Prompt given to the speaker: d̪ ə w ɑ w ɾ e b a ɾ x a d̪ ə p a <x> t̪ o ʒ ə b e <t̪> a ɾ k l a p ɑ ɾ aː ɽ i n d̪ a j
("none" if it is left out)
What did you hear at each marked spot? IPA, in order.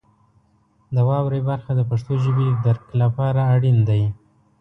ʂ, d̪

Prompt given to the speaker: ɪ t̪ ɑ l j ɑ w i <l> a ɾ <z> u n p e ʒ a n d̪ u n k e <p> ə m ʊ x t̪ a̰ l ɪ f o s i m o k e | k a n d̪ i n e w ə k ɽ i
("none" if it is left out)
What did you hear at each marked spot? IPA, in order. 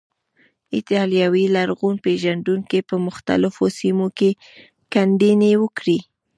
l, ɣ, p

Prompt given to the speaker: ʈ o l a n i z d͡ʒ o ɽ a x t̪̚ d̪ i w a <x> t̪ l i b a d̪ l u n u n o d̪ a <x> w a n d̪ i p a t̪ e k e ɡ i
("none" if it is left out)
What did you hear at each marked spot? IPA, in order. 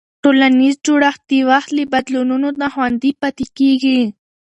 x, x

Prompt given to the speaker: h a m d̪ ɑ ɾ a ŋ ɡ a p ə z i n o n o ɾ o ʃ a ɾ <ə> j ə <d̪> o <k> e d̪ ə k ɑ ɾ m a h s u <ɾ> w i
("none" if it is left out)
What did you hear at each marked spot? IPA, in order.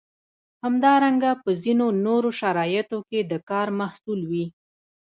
ɑ, t̪, k, l

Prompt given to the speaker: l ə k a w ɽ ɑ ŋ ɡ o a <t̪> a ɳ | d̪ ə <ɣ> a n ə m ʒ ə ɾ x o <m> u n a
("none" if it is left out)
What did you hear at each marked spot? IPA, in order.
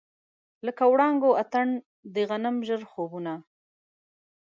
t̪, ɣ, b

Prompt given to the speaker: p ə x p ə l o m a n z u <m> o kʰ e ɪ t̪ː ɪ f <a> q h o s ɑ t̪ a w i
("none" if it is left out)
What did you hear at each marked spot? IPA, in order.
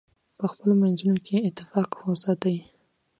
n, ɑ

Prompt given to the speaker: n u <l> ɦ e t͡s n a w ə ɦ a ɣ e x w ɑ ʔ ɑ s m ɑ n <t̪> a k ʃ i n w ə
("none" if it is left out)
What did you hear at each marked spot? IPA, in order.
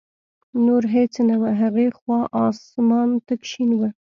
ɾ, t̪

